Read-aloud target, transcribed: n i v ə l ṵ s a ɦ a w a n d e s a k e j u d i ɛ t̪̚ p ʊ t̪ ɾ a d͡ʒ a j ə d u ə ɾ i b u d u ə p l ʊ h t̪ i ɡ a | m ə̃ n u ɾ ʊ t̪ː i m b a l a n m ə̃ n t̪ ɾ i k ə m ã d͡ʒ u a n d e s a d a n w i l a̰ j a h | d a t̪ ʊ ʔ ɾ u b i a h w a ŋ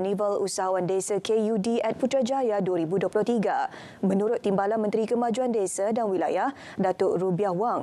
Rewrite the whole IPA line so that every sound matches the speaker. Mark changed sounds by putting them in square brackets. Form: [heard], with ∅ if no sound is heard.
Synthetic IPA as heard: n i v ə l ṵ s a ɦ a w a n d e s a k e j u d i ɛ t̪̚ p [u] t̪ ɾ a d͡ʒ a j [a] d u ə ɾ i b u d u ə p l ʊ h t̪ i ɡ a | m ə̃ n u ɾ ʊ t̪ː i m b a l a n m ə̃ n t̪ ɾ i k ə m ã d͡ʒ u a n d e s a d a n w i l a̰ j a h | d a t̪ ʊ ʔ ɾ u b i a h w a ŋ